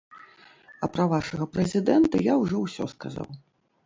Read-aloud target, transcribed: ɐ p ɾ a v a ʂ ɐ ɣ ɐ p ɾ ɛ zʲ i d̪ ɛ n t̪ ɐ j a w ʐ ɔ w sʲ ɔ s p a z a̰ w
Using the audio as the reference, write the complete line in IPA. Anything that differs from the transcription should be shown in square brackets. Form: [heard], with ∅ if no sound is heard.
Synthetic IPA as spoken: ɐ p ɾ [ɐ] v a ʂ ɐ ɣ ɐ p ɾ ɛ zʲ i d̪ ɛ n t̪ ɐ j a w ʐ ɔ w sʲ ɔ s [k] a z a̰ w